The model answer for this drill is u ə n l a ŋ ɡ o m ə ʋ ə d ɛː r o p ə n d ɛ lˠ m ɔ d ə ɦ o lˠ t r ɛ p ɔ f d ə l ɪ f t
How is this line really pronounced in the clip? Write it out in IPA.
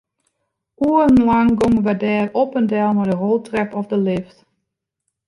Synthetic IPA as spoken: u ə n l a ŋ ɡ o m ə ʋ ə d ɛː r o p ə n d ɛ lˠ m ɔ d ə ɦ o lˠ t r ɛ p ɔ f d ə l ɪ f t